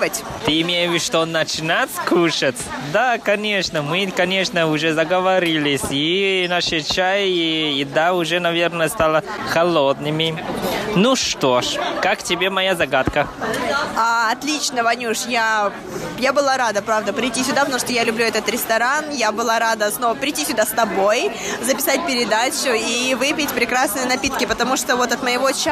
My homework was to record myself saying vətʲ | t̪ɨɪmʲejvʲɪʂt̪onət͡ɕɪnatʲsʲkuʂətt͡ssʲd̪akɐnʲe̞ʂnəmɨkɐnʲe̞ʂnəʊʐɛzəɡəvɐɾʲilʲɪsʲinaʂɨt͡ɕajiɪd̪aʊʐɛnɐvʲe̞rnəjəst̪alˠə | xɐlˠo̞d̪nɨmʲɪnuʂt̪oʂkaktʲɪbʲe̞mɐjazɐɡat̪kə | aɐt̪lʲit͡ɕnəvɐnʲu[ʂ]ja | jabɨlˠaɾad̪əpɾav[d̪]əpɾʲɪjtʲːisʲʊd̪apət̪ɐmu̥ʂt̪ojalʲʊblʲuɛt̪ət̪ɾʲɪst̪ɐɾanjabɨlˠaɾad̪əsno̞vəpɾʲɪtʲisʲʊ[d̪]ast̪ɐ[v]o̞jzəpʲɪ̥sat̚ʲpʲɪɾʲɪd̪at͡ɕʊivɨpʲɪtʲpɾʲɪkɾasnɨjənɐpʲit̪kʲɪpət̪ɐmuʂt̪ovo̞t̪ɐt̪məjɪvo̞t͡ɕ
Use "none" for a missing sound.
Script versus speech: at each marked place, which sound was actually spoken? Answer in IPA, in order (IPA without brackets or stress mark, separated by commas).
ʂ, d̪, d̪, b